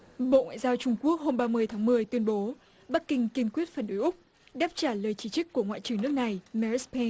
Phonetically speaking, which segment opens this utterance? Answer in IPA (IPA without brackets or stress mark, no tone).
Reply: ɓ